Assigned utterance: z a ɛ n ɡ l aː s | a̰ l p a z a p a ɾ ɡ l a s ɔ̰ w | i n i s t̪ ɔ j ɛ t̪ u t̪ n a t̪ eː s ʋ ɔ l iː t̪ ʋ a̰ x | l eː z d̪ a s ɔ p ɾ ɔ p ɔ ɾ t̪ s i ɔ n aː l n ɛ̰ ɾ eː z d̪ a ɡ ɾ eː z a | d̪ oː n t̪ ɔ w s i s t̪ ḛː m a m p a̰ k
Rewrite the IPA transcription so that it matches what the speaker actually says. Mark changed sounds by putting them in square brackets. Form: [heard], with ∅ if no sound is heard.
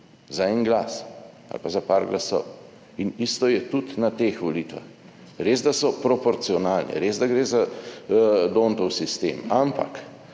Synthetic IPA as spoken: z a ɛ n ɡ l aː s | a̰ l p a z a p a ɾ ɡ l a s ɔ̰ w | i n i s t̪ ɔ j ɛ t̪ u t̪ n a t̪ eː [x] ʋ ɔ l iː t̪ ʋ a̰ x | [ɾ] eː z d̪ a s ɔ p ɾ ɔ p ɔ ɾ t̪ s i ɔ n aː l n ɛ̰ ɾ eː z d̪ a ɡ ɾ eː z a | d̪ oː n t̪ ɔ w s i s t̪ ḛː m a m p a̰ k